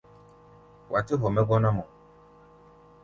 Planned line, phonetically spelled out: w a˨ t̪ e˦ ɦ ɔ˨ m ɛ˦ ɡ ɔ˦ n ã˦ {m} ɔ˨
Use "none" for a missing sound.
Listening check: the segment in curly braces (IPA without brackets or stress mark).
m